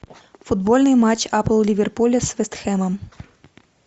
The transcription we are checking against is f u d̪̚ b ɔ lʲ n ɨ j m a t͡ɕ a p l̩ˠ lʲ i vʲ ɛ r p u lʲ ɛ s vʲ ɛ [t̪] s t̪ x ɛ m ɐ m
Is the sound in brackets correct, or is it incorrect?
incorrect: none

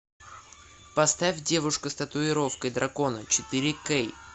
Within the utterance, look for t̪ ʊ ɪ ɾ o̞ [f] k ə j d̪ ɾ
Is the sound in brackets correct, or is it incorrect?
correct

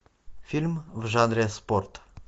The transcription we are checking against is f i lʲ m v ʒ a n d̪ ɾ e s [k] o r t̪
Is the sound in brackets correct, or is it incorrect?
incorrect: p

